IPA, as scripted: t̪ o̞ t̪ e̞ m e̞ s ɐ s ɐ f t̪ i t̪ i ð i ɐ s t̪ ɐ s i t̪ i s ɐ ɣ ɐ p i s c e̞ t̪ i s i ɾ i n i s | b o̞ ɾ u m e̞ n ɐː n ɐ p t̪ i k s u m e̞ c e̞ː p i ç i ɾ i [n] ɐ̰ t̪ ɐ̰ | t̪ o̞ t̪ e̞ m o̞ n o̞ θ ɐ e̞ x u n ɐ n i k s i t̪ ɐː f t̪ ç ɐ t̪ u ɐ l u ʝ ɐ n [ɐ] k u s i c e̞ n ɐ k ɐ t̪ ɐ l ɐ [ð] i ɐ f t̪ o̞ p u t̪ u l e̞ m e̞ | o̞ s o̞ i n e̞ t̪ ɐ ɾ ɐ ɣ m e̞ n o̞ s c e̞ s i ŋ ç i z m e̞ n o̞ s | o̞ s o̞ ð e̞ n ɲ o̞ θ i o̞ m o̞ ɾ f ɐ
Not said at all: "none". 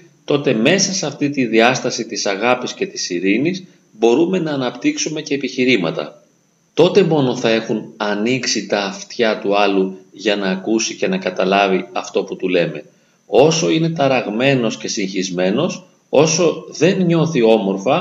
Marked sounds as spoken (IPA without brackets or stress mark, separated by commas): m, ɐː, v